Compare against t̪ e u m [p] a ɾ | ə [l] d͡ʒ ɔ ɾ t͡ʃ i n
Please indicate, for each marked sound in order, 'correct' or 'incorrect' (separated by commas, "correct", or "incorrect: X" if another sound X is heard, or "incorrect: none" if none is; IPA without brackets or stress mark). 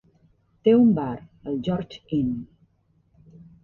incorrect: b, correct